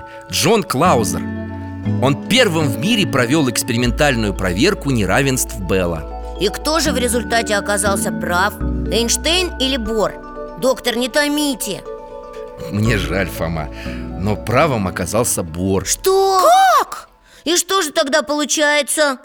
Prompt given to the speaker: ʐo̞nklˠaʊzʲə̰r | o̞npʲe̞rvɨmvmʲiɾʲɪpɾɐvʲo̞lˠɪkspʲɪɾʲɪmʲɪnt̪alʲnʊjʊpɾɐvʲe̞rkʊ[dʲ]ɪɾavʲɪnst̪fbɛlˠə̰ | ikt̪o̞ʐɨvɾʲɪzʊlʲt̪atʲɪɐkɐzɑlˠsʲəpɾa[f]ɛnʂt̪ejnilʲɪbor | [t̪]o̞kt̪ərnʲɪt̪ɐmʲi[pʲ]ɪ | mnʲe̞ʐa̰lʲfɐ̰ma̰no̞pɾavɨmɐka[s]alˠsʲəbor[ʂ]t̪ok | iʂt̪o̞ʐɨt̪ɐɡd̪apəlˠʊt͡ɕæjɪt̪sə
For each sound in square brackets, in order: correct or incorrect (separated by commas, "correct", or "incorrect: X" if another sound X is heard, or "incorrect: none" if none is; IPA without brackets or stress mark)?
incorrect: nʲ, correct, incorrect: d̪, incorrect: tʲ, incorrect: z, correct